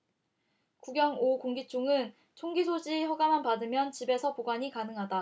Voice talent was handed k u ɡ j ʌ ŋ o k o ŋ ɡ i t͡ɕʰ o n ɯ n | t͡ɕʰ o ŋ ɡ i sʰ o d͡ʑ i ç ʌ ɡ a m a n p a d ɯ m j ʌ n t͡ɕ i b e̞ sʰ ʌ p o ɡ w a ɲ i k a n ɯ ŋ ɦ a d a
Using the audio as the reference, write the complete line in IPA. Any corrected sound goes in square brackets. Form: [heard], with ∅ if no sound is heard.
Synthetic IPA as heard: k u ɡ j ʌ ŋ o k o ŋ ɡ i t͡ɕʰ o [ŋ] ɯ n | t͡ɕʰ o ŋ ɡ i sʰ o d͡ʑ i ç ʌ ɡ a m a n p a d ɯ m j ʌ n t͡ɕ i b e̞ sʰ ʌ p o ɡ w a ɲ i k a n ɯ ŋ ɦ a d a